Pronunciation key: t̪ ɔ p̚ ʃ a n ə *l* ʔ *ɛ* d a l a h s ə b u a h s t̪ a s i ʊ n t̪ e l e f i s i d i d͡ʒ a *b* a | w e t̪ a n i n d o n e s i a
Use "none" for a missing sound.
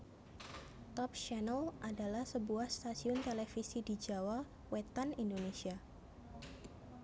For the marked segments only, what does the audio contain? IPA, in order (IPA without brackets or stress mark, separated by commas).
l, a, w